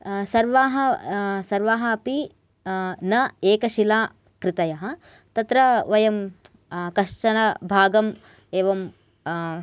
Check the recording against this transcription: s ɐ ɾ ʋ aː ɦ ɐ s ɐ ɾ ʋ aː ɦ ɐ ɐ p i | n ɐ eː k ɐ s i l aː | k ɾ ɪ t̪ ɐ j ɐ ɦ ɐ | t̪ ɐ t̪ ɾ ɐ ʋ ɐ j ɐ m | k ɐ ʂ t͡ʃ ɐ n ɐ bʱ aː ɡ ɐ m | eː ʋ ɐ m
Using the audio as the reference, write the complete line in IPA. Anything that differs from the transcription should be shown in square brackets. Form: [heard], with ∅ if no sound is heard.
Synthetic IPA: s ɐ ɾ ʋ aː ɦ ɐ s ɐ ɾ ʋ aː ɦ ɐ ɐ p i | n ɐ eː k ɐ [ʃ] i l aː | k ɾ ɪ t̪ ɐ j ɐ ɦ ɐ | t̪ ɐ t̪ ɾ ɐ ʋ ɐ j ɐ m | k ɐ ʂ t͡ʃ ɐ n ɐ bʱ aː ɡ ɐ m | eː ʋ ɐ m